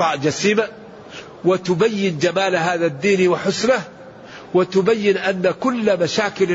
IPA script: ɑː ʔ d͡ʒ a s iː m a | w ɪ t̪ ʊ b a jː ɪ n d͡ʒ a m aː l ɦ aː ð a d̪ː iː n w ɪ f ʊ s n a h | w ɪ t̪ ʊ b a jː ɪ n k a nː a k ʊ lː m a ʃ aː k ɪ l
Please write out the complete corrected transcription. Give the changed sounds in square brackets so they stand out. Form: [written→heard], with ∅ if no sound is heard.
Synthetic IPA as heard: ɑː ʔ d͡ʒ a s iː m a | w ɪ t̪ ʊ b a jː ɪ n d͡ʒ a m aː l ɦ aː ð a d̪ː iː n w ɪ [f→ħ] ʊ s n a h | w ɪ t̪ ʊ b a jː ɪ n [k→ʔ] a nː a k ʊ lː m a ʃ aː k ɪ l